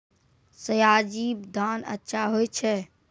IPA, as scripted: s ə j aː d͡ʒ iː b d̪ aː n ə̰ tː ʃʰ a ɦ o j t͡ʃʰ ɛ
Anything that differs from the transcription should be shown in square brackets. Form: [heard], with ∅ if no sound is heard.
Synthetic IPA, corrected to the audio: s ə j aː d͡ʒ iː b d̪ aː n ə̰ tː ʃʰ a ɦ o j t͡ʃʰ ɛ